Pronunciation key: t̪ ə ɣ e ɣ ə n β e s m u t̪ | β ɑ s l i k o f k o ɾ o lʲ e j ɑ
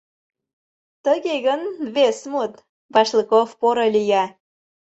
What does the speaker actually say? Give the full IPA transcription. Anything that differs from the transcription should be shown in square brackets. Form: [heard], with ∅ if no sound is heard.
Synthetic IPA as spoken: t̪ ə ɣ e ɣ ə n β e s m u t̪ | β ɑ [ʃ] l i k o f [p] o ɾ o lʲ [i] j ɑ